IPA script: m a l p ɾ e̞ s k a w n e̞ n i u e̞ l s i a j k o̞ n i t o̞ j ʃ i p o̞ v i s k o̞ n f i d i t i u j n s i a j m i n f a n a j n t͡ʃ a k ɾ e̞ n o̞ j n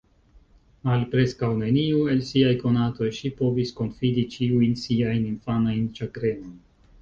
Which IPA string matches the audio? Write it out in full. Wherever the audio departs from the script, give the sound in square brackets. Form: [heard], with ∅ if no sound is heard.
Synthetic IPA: m a l p ɾ e̞ s k a w n e̞ n i u e̞ l s i a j k o̞ n [a] t o̞ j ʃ i p o̞ v i s k o̞ n f i d i [t͡ʃ] i u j n s i a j [n] i n f a n a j n t͡ʃ a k ɾ e̞ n o̞ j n